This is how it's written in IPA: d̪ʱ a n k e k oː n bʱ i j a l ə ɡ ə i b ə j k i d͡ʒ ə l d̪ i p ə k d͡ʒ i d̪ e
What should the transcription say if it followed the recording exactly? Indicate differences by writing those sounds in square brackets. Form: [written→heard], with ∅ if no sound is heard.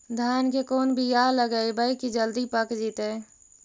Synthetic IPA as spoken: d̪ʱ a n k e k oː n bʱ i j a l ə ɡ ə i b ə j k i d͡ʒ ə l d̪ i p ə k d͡ʒ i [d̪→t̪] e